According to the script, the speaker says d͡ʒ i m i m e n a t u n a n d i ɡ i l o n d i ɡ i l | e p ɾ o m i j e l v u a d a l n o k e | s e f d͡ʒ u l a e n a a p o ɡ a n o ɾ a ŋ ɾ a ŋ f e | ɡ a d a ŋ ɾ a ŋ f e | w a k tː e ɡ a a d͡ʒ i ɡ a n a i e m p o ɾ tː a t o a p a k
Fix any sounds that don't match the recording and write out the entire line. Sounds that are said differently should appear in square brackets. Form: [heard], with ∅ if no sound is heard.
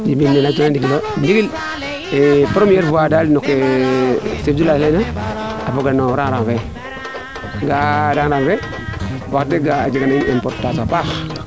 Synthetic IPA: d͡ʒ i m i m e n a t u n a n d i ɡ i l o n d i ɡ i l | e p ɾ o m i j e [ɾ] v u a d a l n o k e | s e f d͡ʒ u l a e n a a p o ɡ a n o ɾ a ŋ ɾ a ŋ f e | ɡ a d a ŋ ɾ a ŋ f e | w a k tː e ɡ a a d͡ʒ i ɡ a n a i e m p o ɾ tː a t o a p a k

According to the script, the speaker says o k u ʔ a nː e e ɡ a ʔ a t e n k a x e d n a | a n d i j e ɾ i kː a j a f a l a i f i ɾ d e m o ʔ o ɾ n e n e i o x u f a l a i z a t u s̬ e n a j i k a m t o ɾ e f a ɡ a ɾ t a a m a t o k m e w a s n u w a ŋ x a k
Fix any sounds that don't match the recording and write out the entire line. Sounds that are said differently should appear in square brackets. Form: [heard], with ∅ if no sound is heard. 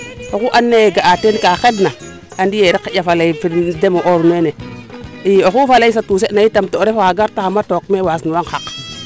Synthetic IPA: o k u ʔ a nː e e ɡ a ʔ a t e n k a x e d n a | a n d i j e ɾ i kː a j a f a l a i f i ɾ d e m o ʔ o ɾ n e n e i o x u f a l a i [s] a t u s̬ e n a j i [t] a m t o ɾ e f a ɡ a ɾ t a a m a t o k m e w a s n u w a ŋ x a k

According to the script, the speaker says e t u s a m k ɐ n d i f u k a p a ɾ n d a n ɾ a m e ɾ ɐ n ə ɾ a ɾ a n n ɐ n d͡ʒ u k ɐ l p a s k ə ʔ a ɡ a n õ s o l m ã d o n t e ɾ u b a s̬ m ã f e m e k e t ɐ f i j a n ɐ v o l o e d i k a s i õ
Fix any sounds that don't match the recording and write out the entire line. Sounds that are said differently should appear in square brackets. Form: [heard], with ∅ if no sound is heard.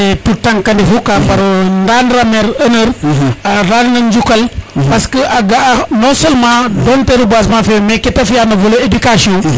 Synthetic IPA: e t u [t] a [ŋ] k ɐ n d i f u k a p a ɾ n d a n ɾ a m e ɾ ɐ n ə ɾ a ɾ a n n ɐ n d͡ʒ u k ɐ l p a s k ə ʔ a ɡ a n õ s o l m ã d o n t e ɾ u b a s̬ m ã f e m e k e t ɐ f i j a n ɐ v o l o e d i k a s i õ

